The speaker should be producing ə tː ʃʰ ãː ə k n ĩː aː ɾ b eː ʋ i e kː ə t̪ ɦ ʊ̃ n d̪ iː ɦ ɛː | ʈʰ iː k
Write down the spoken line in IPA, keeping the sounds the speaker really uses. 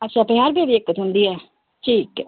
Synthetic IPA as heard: ə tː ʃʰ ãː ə p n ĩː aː ɾ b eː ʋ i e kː ə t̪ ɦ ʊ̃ n d̪ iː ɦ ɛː | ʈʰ iː k